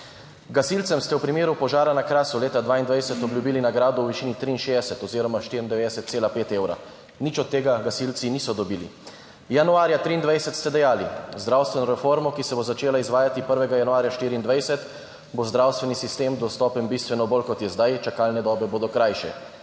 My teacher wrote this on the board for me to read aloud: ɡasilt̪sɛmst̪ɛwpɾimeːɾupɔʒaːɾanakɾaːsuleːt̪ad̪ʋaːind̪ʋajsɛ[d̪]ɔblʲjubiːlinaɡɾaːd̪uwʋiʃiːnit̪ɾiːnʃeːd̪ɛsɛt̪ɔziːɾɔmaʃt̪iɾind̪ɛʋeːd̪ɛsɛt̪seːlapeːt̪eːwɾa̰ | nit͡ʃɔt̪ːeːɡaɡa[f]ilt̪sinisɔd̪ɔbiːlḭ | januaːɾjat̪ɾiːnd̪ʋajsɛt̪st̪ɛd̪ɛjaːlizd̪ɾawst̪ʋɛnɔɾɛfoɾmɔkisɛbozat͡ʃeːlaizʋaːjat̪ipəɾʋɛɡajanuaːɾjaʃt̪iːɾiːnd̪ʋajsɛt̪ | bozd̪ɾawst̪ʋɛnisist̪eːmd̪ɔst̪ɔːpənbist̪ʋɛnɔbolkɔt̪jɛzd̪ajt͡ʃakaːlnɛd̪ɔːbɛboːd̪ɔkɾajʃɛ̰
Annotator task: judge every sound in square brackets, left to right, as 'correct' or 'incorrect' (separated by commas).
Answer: incorrect, incorrect